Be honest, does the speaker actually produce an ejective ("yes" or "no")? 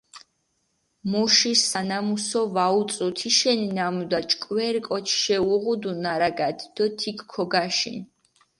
yes